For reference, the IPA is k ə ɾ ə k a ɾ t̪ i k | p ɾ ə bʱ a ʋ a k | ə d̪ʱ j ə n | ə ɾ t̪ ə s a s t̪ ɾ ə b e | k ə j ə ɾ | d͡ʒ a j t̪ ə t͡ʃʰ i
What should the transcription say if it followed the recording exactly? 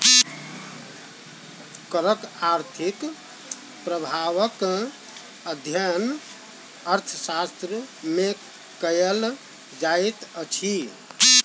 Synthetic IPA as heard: k ə ɾ ə k a ɾ t̪ʰ i k | p ɾ ə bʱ a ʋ ə k | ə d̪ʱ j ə n | ə ɾ t̪ʰ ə s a s t̪ ɾ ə m e | k ə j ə l | d͡ʒ a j t̪ ə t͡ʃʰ i